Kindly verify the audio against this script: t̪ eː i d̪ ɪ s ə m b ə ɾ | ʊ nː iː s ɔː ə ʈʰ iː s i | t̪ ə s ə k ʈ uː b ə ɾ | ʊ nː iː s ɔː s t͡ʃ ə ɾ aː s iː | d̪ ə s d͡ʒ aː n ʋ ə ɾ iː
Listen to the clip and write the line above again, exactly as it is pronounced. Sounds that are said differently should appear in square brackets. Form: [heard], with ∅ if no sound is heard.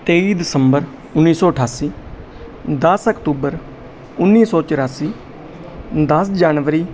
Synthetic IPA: t̪ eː i d̪ ɪ s ə m b ə ɾ | ʊ nː iː s ɔː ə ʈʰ [aː] s [iː] | [d̪] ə s ə k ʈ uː b ə ɾ | ʊ nː iː s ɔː [∅] t͡ʃ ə ɾ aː s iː | d̪ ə s d͡ʒ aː n ʋ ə ɾ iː

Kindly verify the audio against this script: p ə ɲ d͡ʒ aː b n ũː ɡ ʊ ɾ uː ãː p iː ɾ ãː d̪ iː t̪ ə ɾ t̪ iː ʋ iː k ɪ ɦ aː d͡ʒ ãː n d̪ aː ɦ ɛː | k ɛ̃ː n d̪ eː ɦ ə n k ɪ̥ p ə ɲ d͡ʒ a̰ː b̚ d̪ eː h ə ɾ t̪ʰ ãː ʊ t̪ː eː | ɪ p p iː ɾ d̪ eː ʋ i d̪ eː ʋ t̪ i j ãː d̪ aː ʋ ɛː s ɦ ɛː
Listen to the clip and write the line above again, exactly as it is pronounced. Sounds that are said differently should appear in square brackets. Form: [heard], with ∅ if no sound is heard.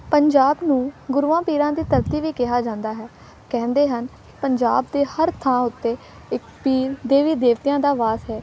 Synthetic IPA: p ə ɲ d͡ʒ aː b n ũː ɡ ʊ ɾ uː ãː p iː ɾ ãː d̪ iː t̪ ə ɾ t̪ iː ʋ iː k ɪ ɦ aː d͡ʒ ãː n d̪ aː ɦ ɛː | k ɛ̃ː n d̪ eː ɦ ə n k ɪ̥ p ə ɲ d͡ʒ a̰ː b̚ d̪ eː h ə ɾ t̪ʰ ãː ʊ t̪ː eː | ɪ [k] p iː ɾ d̪ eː ʋ [iː] d̪ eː ʋ t̪ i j ãː d̪ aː ʋ [aː] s ɦ ɛː

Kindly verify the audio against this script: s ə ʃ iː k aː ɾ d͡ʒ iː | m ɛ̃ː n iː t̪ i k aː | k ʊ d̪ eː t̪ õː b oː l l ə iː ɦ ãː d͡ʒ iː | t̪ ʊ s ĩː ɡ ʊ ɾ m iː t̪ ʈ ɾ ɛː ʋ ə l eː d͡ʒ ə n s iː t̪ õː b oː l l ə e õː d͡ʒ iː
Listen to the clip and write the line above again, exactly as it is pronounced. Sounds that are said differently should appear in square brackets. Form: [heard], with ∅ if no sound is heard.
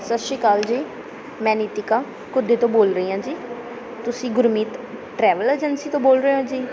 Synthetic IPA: s ə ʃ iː k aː [l] d͡ʒ iː | m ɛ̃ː n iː t̪ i k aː | k ʊ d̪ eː t̪ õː b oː l [ɾ] ə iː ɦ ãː d͡ʒ iː | t̪ ʊ s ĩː ɡ ʊ ɾ m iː t̪ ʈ ɾ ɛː ʋ ə l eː d͡ʒ ə n s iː t̪ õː b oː l [ɾ] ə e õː d͡ʒ iː

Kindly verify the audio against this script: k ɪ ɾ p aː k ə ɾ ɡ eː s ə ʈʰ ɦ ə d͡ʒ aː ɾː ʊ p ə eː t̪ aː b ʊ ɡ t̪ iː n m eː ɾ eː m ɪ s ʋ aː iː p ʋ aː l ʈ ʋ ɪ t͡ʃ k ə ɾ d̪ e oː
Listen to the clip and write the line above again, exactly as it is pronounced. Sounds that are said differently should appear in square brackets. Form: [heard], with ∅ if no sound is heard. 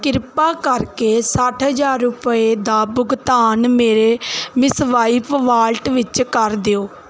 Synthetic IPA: k ɪ ɾ p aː k ə ɾ [k] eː s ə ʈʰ ɦ ə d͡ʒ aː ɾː ʊ p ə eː [d̪] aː b ʊ ɡ t̪ [aː] n m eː ɾ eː m ɪ s ʋ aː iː p ʋ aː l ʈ ʋ ɪ t͡ʃ k ə ɾ d̪ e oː

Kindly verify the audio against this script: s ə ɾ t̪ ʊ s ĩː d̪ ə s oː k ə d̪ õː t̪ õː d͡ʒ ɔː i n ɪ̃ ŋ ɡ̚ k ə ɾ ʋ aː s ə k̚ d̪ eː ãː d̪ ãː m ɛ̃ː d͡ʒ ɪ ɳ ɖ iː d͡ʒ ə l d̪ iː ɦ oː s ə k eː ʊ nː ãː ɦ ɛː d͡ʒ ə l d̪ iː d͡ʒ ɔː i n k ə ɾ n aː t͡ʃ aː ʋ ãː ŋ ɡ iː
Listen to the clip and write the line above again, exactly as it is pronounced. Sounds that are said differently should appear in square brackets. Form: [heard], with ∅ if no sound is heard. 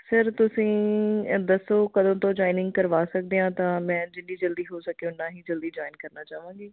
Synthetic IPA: s ə ɾ t̪ ʊ s ĩː d̪ ə s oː k ə d̪ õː t̪ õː d͡ʒ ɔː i n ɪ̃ ŋ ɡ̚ k ə ɾ ʋ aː s ə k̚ d̪ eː ãː [t̪] ãː m ɛ̃ː d͡ʒ ɪ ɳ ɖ iː d͡ʒ ə l d̪ iː ɦ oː s ə k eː ʊ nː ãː ɦ [iː] d͡ʒ ə l d̪ iː d͡ʒ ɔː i n k ə ɾ n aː t͡ʃ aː ʋ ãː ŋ ɡ iː

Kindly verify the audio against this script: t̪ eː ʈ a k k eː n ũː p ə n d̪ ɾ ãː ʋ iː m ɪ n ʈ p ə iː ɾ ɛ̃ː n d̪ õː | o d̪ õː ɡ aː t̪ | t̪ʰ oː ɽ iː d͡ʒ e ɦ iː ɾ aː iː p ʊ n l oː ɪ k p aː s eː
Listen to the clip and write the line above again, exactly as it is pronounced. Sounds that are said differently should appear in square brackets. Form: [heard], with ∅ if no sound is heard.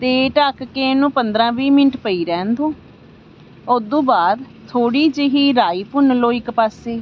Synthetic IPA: t̪ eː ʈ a k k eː n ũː p ə n d̪ ɾ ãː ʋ iː m ɪ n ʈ p ə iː ɾ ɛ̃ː n d̪ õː | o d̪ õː [b] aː [d̪] | t̪ʰ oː ɽ iː d͡ʒ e ɦ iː ɾ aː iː p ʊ n l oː ɪ k p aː s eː

